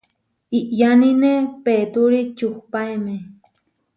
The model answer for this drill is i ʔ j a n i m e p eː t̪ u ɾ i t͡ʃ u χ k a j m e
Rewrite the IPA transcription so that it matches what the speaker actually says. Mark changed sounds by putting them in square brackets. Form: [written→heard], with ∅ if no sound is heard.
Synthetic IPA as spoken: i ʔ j a n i [m→n] e p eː t̪ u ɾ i t͡ʃ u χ [k→p] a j m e